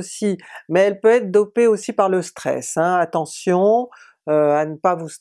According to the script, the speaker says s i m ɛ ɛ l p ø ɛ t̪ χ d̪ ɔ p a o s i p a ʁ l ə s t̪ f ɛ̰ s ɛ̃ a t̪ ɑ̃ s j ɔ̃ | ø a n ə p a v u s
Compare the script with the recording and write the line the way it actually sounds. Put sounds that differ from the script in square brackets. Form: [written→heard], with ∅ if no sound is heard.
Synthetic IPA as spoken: s i m ɛ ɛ l p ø ɛ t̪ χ d̪ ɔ p [a→e] o s i p a ʁ l ə s t̪ [f→χ] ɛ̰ s ɛ̃ a t̪ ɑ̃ s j ɔ̃ | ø a n ə p a v u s